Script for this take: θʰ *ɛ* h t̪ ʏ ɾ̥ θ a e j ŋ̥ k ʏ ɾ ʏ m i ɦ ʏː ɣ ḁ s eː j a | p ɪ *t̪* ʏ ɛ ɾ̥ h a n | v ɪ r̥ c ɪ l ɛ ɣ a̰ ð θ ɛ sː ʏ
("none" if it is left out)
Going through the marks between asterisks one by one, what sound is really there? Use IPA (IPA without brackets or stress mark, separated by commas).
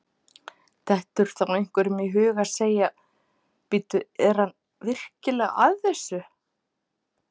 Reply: ɛ, t̪